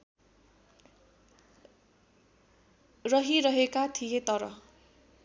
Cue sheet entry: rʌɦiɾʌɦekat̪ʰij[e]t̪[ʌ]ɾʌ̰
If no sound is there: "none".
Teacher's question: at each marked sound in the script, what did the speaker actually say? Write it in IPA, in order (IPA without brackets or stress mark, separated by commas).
e, ʌ